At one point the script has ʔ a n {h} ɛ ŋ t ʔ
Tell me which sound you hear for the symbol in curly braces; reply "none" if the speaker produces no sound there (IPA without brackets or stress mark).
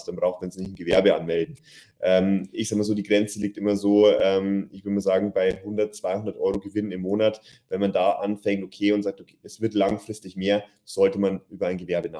f